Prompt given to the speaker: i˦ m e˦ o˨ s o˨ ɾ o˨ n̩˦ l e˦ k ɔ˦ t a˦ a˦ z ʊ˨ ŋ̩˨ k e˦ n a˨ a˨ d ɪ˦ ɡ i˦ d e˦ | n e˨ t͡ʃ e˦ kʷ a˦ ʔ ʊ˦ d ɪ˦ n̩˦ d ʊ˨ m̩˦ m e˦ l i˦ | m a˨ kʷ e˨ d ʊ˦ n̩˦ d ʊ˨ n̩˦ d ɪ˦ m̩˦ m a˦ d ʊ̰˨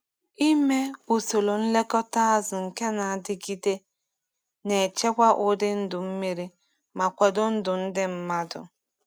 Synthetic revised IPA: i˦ m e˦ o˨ s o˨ l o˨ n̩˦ l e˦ k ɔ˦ t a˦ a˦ z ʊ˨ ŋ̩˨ k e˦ n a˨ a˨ d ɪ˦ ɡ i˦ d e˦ | n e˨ t͡ʃ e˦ kʷ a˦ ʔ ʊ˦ d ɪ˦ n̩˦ d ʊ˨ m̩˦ m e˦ ɾ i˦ | m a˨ kʷ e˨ d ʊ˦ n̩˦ d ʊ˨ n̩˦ d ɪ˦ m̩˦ m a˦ d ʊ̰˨